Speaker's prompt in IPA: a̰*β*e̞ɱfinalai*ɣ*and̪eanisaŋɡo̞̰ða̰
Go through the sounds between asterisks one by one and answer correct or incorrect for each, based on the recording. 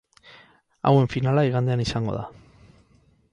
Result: incorrect, correct

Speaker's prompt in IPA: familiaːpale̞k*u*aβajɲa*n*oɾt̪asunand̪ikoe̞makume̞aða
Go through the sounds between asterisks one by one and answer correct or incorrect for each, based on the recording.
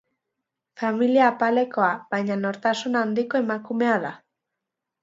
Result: incorrect, correct

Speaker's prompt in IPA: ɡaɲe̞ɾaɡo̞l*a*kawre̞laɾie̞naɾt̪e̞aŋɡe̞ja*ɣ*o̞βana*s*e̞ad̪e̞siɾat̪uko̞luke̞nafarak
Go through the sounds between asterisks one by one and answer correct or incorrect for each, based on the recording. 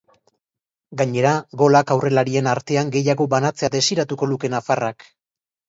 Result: correct, correct, incorrect

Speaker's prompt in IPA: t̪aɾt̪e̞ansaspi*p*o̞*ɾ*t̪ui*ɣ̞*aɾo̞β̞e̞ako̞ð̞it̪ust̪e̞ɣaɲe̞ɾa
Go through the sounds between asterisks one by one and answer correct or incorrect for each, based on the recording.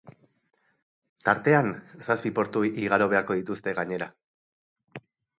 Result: correct, correct, correct

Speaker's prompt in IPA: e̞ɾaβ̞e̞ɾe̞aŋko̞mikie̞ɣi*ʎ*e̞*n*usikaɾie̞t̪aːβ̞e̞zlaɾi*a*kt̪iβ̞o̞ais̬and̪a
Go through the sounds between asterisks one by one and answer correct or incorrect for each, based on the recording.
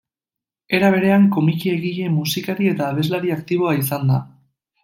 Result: correct, incorrect, correct

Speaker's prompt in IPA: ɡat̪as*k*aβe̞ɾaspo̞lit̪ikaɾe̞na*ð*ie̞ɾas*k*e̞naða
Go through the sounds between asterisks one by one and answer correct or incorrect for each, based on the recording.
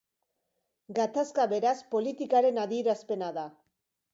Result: correct, correct, incorrect

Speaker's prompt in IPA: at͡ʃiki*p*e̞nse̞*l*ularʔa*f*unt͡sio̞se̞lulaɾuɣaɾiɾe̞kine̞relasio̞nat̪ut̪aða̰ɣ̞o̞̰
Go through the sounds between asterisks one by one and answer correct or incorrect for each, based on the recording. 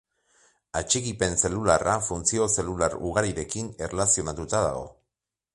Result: correct, correct, correct

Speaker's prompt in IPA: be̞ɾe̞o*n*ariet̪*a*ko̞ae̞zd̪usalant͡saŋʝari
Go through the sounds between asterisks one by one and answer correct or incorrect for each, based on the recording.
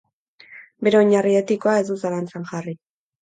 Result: incorrect, incorrect

